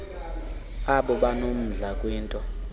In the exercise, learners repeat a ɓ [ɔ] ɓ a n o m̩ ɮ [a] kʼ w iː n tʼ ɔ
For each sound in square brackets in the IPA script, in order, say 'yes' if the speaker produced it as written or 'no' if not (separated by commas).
yes, yes